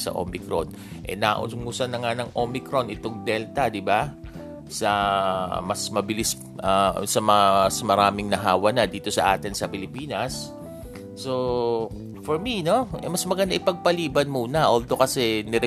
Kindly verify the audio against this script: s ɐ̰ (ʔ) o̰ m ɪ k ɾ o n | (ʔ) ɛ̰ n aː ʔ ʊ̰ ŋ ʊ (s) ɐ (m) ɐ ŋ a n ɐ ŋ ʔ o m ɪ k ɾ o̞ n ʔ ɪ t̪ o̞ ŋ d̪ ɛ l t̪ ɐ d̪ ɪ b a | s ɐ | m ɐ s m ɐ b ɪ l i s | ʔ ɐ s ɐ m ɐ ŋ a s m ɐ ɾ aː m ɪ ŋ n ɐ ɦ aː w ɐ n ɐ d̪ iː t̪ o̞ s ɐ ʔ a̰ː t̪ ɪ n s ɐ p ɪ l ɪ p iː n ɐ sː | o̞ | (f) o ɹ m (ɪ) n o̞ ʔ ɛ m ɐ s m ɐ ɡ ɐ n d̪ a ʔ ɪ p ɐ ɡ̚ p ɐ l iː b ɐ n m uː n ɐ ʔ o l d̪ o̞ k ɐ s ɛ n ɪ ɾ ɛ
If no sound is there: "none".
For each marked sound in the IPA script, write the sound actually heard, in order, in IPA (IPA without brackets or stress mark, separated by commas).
ʔ, ʔ, s, n, f, i